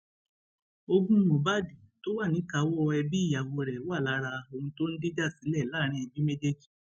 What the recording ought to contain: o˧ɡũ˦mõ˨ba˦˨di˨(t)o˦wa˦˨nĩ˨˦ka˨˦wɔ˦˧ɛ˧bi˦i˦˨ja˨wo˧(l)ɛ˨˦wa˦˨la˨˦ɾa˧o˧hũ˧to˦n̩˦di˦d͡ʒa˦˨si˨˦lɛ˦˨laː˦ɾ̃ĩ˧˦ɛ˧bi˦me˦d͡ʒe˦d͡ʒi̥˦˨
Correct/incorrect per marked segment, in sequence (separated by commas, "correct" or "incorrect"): correct, incorrect